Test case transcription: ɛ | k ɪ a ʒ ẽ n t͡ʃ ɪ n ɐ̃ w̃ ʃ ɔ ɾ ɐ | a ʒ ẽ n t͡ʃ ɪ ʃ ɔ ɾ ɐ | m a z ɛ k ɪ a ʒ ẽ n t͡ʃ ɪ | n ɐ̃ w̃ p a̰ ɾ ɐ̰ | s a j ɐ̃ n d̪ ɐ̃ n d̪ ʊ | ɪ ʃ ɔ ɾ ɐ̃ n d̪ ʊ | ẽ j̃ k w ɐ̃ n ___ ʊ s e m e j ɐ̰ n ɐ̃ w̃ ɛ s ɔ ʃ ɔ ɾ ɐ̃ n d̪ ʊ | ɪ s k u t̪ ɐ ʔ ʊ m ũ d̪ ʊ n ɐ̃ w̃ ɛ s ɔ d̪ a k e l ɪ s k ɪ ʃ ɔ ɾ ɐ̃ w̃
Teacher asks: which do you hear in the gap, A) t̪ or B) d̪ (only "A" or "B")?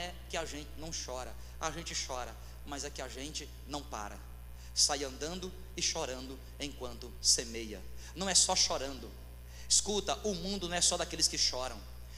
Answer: A